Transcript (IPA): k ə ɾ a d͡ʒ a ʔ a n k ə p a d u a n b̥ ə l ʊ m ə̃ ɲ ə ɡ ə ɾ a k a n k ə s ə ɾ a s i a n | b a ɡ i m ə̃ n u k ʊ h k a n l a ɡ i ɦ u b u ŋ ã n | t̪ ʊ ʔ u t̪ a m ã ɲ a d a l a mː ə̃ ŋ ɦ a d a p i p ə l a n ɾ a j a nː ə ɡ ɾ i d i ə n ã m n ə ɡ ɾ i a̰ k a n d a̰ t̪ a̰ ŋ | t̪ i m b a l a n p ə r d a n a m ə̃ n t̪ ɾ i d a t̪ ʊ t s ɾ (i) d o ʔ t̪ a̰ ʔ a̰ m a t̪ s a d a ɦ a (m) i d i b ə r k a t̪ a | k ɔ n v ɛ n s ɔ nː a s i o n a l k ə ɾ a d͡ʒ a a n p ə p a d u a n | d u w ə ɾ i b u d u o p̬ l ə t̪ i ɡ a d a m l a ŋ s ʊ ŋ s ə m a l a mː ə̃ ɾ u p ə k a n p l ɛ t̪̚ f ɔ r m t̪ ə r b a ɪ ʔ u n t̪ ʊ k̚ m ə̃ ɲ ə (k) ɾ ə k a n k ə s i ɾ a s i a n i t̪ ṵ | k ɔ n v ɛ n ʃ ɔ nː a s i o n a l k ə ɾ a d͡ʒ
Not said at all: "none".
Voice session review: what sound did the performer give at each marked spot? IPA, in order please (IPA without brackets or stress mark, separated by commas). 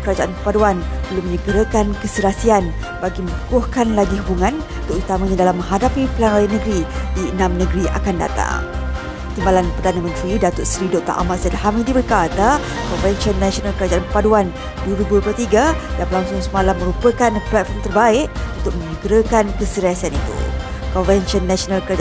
i, m, ɡ